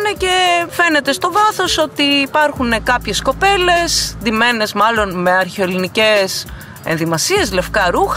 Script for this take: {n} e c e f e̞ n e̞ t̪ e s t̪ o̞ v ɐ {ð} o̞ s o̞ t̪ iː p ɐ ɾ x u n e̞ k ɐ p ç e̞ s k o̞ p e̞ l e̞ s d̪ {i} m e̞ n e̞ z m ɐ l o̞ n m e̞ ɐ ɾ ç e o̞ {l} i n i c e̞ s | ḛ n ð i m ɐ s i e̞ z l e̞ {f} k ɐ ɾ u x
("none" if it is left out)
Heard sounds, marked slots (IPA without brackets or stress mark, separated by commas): n, θ, i, l, f